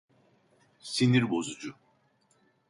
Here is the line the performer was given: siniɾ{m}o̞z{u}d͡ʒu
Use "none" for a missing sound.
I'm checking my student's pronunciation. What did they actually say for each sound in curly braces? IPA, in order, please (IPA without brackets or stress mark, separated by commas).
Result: b, u